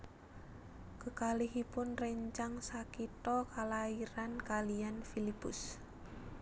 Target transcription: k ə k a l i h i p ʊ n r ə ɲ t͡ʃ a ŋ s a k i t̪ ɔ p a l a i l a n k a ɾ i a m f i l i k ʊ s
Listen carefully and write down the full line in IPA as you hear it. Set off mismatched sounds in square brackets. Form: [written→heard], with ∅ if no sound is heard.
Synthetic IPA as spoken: k ə k a l i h i p ʊ n r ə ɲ t͡ʃ a ŋ s a k i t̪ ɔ [p→k] a l a i [l→ɾ] a n k a [ɾ→l] i a [m→n] f i l i [k→p] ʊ s